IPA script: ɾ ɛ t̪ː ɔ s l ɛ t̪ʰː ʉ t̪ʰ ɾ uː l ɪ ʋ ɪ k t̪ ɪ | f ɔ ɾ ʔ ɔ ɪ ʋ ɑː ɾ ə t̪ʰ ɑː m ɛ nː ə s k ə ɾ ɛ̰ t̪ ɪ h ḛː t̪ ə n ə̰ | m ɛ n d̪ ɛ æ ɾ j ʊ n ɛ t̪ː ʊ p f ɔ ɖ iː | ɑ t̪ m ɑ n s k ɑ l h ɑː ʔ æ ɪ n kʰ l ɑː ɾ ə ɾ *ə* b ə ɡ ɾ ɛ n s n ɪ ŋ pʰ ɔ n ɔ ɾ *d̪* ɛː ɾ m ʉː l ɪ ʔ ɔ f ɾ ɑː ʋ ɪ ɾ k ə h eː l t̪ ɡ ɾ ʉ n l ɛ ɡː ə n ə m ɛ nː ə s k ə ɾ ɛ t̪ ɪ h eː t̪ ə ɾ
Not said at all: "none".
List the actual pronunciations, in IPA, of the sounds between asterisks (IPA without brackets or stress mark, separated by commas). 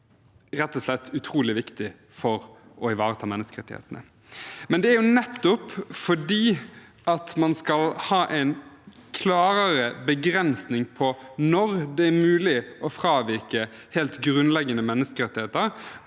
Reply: ə, d̪